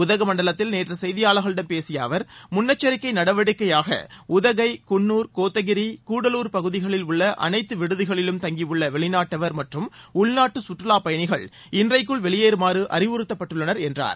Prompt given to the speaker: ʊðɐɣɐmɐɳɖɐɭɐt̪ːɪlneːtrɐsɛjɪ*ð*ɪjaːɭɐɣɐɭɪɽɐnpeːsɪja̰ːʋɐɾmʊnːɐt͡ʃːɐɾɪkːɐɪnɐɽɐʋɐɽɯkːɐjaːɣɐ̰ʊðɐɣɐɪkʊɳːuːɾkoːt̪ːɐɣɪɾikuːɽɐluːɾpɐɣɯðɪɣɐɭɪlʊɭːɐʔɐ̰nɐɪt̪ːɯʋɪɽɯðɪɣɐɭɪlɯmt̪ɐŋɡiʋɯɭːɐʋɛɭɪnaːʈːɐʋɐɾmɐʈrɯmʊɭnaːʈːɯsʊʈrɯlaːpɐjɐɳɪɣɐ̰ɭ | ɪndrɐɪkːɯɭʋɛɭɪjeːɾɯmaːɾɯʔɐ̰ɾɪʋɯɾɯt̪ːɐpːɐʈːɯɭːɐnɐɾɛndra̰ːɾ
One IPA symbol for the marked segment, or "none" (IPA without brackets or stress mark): ð